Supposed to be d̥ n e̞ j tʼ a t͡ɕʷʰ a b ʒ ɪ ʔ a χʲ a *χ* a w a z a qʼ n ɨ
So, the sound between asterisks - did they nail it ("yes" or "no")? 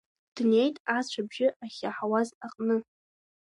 no